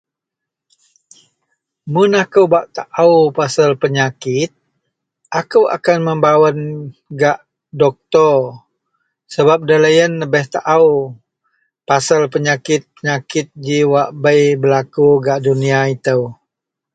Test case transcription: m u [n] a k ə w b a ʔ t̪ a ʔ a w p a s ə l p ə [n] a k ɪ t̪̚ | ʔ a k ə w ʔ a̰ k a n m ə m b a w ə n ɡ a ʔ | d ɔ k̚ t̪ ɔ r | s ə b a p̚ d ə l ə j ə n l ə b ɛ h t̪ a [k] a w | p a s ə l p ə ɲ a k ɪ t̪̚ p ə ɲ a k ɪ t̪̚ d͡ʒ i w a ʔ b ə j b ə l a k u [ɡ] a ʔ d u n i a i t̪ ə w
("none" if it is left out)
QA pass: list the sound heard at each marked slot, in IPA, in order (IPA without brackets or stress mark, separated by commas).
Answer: n, ɲ, ʔ, ɡ